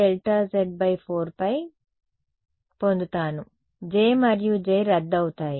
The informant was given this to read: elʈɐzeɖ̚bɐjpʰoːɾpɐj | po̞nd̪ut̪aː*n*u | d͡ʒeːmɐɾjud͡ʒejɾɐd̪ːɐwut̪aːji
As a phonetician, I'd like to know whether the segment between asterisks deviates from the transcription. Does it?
no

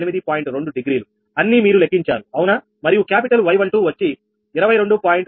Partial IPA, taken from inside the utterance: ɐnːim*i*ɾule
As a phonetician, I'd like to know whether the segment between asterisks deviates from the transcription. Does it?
yes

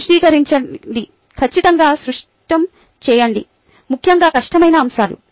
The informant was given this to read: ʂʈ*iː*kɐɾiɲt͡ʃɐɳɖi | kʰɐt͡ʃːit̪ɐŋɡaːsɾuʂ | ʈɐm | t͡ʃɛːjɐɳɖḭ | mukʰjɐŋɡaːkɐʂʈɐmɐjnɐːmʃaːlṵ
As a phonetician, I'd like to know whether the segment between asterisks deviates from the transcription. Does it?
no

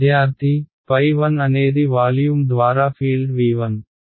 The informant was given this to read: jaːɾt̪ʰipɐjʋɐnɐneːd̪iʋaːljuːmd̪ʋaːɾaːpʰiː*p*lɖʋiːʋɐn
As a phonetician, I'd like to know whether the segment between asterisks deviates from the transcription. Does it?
yes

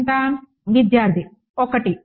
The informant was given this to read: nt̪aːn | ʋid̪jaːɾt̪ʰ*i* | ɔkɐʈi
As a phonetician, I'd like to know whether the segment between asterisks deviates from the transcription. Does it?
no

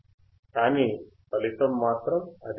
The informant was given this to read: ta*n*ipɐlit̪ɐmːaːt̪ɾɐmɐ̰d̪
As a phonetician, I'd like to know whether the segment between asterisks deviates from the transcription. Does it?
no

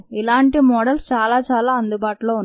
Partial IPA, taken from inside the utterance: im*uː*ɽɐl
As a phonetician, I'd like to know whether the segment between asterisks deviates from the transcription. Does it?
yes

